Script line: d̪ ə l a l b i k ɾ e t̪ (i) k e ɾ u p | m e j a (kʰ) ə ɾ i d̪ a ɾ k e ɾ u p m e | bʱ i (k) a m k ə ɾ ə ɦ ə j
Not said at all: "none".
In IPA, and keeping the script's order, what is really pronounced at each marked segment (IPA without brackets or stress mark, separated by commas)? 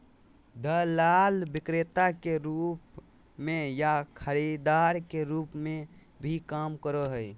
a, kʰ, k